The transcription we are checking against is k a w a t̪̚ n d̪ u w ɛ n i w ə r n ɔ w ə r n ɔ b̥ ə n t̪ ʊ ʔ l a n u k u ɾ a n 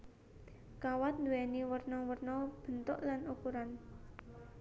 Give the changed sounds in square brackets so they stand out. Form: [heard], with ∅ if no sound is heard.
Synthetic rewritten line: k a w a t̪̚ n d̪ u w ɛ n i w ə r n ɔ w ə r n ɔ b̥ ə n t̪ ʊ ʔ l a n u k u ɾ a n